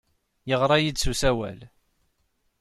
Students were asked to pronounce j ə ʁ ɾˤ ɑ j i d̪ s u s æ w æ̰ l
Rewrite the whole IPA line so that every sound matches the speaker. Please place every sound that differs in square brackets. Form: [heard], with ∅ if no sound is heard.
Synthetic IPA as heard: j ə ʁ ɾˤ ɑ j i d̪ s u s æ w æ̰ l